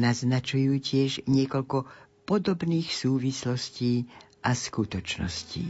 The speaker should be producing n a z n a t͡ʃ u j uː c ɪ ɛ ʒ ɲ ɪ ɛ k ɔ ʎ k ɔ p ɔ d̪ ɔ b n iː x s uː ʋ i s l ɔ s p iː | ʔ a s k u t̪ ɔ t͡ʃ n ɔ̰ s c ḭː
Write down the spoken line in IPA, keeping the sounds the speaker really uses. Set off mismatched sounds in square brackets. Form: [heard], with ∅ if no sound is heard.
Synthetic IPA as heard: n a z n a t͡ʃ u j uː c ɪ ɛ ʒ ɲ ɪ ɛ k ɔ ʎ k ɔ p ɔ d̪ ɔ b n iː x s uː ʋ i s l ɔ s [c] iː | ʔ a s k u t̪ ɔ t͡ʃ n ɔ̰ s c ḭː